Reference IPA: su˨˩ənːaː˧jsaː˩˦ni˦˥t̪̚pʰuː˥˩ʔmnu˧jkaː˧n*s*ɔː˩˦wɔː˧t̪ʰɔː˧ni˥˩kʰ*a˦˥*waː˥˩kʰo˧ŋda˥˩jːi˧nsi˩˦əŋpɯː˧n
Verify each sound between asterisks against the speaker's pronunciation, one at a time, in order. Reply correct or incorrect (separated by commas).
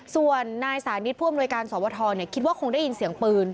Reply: correct, incorrect